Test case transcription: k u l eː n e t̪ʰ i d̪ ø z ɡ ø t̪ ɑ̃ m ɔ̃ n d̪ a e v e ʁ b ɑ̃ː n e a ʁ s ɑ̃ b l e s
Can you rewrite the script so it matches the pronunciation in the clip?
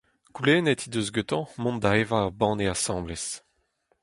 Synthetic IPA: k u l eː n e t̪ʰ i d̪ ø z ɡ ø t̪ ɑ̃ m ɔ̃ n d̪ a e v a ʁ b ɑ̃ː n e a s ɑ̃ b l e s